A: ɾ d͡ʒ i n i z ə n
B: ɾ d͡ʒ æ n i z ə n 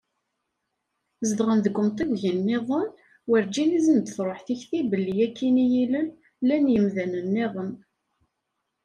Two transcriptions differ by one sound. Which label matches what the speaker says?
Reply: A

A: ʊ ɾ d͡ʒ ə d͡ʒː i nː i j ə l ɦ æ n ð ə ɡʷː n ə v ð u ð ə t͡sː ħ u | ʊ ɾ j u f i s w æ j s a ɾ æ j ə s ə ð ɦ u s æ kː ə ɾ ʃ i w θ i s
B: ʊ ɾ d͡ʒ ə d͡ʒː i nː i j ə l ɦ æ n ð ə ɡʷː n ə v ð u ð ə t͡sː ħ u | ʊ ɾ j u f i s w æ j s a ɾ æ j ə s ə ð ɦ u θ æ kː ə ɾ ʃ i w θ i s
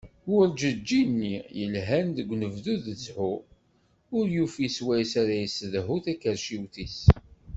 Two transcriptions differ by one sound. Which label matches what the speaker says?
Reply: B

